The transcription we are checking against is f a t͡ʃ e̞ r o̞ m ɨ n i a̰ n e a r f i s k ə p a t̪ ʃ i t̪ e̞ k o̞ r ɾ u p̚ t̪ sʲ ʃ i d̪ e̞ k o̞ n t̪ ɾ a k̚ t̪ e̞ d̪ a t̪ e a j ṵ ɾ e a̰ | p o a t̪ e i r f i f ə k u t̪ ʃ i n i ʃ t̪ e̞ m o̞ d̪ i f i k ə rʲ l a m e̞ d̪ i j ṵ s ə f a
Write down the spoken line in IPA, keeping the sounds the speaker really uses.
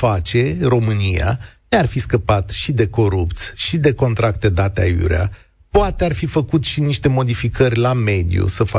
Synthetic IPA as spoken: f a t͡ʃ e̞ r o̞ m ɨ n i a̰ n e a r f i s k ə p a t̪ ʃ i d̪ e̞ k o̞ ɾ u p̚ t̪ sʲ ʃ i d̪ e̞ k o̞ n t̪ ɾ a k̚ t̪ e̞ d̪ a t̪ e a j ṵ ɾ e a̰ | p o a t̪ e a r f i f ə k u t̪ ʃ i n i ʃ t̪ e̞ m o̞ d̪ i f i k ə rʲ l a m e̞ d̪ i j ṵ s ə f a